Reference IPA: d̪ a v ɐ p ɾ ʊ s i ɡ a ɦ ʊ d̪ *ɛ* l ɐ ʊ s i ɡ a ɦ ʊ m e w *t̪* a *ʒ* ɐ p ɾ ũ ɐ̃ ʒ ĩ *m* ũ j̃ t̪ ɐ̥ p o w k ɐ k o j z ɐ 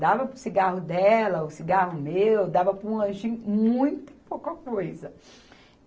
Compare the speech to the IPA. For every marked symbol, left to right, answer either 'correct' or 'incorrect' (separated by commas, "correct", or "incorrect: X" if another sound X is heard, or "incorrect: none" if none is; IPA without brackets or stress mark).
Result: correct, incorrect: d̪, incorrect: v, correct